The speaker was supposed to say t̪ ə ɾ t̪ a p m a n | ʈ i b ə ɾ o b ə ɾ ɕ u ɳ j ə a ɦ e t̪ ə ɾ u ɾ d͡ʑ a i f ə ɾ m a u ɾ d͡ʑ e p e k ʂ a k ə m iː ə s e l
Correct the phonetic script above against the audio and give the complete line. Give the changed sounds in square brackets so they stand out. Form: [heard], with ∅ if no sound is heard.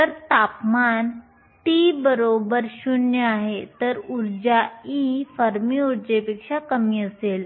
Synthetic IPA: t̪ ə ɾ t̪ a p m a n | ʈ i b ə ɾ o b ə ɾ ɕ u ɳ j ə a ɦ e t̪ ə ɾ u ɾ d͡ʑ a i f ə ɾ m [i] u ɾ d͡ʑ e p e k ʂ a k ə m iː ə s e l